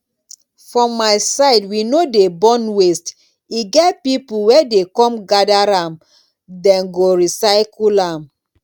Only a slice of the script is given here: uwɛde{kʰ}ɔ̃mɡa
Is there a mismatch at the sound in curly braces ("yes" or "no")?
yes